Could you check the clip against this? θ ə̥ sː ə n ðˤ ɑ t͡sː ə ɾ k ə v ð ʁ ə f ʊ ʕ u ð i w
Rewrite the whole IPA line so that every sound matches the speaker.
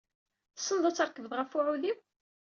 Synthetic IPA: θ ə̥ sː ə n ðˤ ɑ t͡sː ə ɾ k ə v ð ʁ ə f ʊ ʕ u ð i w